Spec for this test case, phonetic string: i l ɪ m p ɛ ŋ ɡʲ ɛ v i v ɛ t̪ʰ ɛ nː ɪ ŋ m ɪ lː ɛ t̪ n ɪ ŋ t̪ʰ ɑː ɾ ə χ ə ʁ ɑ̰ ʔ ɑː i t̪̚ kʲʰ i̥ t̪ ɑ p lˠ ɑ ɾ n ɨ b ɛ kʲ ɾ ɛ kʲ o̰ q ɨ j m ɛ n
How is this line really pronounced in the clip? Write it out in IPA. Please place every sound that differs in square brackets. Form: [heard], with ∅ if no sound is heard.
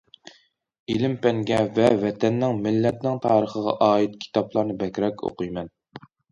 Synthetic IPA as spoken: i l ɪ m p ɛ ŋ ɡʲ ɛ v [ɛ] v ɛ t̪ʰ ɛ nː ɪ ŋ m ɪ lː ɛ t̪ n ɪ ŋ t̪ʰ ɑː ɾ ə χ ə ʁ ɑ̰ ʔ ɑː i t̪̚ kʲʰ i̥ t̪ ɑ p lˠ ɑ ɾ n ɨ b ɛ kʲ ɾ ɛ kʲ o̰ q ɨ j m ɛ n